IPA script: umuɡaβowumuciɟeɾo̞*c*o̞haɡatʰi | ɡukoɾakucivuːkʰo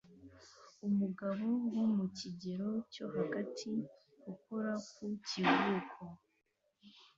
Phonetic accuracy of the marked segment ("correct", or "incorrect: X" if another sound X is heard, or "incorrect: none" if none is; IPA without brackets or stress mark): correct